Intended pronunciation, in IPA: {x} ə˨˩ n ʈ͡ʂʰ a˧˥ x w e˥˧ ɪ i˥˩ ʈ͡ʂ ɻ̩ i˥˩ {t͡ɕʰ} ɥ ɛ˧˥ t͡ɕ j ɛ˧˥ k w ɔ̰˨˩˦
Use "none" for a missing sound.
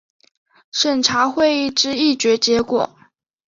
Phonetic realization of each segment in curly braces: ʂ, t͡ɕ

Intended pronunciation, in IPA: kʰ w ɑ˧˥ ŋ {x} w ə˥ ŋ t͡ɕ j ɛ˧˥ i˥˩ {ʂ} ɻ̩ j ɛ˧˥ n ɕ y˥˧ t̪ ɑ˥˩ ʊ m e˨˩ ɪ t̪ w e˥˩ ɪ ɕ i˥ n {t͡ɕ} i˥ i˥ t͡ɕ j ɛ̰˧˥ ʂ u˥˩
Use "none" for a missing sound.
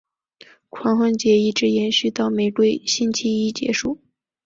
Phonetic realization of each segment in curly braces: x, ʈ͡ʂ, t͡ɕʰ

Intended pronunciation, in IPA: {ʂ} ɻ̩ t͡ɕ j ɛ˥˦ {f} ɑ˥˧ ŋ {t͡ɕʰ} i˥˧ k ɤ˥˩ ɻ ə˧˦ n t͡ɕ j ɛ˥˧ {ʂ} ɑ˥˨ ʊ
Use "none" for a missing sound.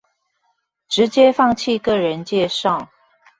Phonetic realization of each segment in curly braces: ʈ͡ʂ, f, t͡ɕʰ, ʂ

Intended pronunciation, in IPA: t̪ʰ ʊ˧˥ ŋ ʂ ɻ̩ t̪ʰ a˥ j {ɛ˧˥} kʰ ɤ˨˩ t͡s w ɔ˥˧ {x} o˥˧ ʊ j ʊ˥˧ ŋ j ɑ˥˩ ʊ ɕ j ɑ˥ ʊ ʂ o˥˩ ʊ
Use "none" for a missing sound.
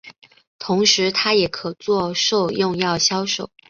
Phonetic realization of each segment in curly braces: ɛ˨˩, ʂ

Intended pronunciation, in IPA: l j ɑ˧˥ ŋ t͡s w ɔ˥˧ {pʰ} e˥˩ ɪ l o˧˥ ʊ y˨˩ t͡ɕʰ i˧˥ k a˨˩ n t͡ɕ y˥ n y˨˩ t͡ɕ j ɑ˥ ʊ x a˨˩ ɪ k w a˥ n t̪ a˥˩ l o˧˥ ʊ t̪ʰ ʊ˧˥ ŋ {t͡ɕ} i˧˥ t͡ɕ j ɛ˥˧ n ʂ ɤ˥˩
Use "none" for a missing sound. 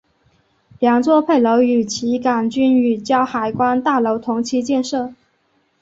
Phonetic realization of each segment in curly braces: pʰ, t͡ɕʰ

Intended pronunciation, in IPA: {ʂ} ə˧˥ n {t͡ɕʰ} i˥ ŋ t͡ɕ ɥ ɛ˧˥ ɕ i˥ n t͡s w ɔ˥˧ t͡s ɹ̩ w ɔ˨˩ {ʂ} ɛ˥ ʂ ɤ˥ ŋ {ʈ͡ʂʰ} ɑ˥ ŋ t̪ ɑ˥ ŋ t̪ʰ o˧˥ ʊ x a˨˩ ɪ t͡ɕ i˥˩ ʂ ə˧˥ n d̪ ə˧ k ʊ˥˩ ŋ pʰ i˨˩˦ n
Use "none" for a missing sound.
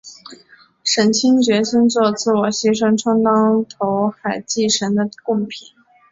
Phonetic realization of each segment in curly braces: ʂ, t͡ɕʰ, ɕ, ʈ͡ʂʰ

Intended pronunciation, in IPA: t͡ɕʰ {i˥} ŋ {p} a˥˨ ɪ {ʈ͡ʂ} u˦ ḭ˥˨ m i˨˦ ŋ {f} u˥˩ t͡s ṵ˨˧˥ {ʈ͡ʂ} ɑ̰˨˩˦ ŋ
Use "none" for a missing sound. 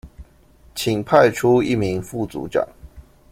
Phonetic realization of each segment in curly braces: i˨˩, pʰ, ʈ͡ʂʰ, f, ʈ͡ʂ

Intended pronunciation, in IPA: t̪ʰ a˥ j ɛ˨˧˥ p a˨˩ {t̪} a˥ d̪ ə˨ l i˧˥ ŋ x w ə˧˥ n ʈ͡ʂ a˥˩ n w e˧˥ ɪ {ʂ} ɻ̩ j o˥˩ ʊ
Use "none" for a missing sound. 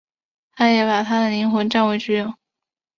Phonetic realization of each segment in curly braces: t̪ʰ, ʈ͡ʂ

